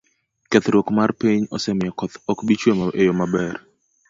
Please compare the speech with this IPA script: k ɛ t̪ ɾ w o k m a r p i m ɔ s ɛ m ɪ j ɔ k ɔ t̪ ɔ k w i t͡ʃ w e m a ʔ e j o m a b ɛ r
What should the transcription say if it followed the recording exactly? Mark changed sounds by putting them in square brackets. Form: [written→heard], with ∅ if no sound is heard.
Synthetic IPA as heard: k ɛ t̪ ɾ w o k m a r p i [m→ɲ] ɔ s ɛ m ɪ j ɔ k ɔ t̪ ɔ k [w→b] i t͡ʃ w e m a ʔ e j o m a b ɛ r